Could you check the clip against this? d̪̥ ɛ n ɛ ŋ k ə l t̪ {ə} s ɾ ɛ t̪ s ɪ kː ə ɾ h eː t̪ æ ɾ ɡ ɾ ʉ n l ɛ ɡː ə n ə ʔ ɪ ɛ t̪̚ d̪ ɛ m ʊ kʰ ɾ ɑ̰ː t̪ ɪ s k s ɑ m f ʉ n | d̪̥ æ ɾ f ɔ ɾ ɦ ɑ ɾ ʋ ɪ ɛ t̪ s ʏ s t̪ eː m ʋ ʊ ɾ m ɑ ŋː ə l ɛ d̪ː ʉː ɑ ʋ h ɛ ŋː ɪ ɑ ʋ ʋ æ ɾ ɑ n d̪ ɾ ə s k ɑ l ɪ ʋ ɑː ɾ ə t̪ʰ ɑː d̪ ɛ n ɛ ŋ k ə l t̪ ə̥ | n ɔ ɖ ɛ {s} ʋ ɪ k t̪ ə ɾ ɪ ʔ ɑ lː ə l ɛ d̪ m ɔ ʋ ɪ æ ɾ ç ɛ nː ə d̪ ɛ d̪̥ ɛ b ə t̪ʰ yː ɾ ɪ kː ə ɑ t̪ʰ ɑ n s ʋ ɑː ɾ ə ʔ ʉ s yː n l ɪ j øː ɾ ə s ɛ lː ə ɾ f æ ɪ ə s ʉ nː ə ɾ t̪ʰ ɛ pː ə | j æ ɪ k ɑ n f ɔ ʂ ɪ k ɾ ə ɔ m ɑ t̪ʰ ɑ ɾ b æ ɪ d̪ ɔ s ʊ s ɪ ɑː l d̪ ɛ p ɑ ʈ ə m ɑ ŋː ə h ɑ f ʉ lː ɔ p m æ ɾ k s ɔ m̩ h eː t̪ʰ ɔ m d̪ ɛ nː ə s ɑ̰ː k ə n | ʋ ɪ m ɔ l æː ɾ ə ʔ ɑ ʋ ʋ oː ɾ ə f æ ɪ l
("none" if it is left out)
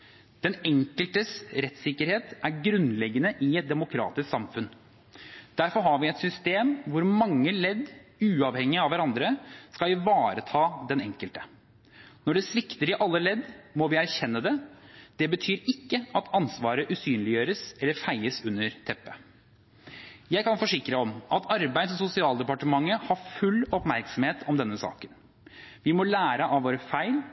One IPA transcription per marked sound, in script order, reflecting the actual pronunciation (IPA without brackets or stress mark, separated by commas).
ə, s